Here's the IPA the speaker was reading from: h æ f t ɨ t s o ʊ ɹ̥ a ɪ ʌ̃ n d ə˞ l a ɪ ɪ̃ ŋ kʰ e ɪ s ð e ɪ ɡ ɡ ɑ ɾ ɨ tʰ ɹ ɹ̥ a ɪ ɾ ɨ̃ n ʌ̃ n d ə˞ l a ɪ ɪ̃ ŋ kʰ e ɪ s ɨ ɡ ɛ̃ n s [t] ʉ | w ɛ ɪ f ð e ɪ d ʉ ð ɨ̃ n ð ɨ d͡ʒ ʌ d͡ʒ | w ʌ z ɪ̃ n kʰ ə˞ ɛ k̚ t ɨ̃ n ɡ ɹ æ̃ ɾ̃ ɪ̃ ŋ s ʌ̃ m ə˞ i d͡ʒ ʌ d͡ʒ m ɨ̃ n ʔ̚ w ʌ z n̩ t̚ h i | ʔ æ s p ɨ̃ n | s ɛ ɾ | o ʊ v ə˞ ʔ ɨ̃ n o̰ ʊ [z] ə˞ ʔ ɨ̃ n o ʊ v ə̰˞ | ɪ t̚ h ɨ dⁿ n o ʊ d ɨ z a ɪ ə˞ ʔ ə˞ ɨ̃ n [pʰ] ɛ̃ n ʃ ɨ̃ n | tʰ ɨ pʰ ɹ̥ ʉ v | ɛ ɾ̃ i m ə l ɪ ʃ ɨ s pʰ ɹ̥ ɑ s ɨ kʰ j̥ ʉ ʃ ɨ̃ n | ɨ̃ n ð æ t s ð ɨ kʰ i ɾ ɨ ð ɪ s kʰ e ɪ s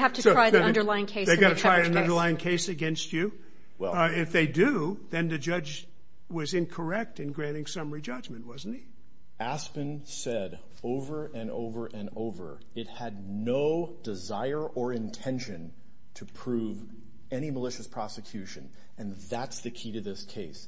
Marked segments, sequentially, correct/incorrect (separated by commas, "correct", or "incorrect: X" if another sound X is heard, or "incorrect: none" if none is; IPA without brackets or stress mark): incorrect: t͡ʃ, incorrect: v, incorrect: tʰ